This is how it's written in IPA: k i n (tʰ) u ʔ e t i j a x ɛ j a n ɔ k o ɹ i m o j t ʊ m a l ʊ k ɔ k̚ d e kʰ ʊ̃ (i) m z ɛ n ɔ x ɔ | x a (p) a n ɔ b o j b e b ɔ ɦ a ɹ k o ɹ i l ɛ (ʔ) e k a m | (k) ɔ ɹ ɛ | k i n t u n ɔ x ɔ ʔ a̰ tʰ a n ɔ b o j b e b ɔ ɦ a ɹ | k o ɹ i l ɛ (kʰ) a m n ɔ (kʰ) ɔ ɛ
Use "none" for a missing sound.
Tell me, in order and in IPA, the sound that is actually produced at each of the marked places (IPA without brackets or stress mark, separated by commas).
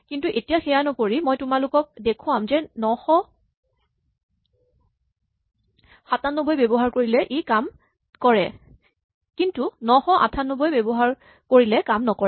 t, a, t, ʔ, k, k, k